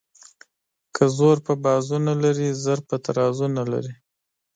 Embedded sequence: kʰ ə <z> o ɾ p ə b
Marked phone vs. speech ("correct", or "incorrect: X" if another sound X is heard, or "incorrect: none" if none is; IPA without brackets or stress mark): correct